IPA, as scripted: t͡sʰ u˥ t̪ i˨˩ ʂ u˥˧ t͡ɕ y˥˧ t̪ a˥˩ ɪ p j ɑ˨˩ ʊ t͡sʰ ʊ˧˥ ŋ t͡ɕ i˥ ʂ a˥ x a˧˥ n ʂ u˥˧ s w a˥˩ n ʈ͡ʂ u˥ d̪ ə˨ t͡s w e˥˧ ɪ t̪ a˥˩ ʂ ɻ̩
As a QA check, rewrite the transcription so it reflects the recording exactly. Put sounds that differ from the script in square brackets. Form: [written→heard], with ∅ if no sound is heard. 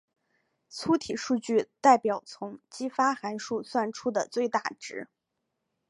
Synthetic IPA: t͡sʰ u˥ [t̪→t̪ʰ] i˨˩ ʂ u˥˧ t͡ɕ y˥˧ t̪ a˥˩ ɪ p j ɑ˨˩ ʊ t͡sʰ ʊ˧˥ ŋ t͡ɕ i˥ [ʂ→f] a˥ x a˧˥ n ʂ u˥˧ s w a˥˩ n [ʈ͡ʂ→ʈ͡ʂʰ] u˥ d̪ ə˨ t͡s w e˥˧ ɪ t̪ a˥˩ [ʂ→ʈ͡ʂ] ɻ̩